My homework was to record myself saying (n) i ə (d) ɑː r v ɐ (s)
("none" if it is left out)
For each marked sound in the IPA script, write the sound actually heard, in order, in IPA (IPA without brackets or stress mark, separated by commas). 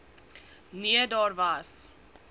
n, d, s